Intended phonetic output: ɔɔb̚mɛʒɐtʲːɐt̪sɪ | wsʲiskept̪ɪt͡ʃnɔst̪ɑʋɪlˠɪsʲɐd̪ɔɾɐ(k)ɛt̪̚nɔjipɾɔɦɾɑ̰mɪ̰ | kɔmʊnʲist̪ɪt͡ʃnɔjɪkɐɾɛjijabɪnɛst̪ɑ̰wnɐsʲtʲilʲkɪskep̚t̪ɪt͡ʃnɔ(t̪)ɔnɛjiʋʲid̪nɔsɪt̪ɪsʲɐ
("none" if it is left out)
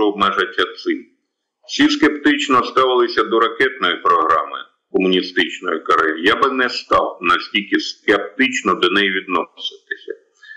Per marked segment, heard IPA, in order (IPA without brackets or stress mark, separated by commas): k, d̪